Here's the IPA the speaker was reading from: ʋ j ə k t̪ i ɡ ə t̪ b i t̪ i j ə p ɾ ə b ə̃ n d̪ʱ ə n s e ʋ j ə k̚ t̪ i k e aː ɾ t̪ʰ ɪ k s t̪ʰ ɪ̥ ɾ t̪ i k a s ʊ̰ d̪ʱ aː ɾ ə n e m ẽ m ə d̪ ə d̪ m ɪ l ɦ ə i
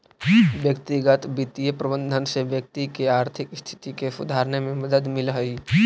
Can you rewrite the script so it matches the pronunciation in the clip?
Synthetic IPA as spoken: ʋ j ə k t̪ i ɡ ə t̪ b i t̪ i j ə p ɾ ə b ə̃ n d̪ʱ ə n s e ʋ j ə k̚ t̪ i k e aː ɾ t̪ʰ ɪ k s t̪ʰ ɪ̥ t̪ i k e s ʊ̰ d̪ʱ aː ɾ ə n e m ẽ m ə d̪ ə d̪ m ɪ l ɦ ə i